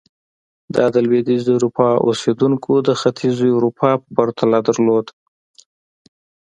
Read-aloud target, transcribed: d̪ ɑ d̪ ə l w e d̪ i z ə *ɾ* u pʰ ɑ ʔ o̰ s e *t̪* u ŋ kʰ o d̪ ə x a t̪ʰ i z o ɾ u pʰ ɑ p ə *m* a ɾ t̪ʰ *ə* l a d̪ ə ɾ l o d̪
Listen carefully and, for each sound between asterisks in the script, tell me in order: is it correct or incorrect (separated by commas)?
correct, incorrect, incorrect, incorrect